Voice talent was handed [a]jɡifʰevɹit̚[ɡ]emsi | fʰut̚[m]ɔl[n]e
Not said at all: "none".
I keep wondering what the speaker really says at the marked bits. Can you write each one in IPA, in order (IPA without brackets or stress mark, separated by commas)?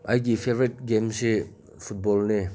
a, ɡ, b, n